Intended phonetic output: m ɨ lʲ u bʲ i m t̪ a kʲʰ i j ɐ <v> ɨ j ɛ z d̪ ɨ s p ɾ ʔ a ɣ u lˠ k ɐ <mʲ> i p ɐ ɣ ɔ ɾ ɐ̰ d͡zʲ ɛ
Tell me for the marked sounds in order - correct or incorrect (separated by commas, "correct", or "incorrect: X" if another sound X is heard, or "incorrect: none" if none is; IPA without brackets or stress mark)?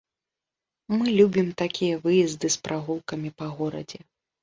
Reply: correct, correct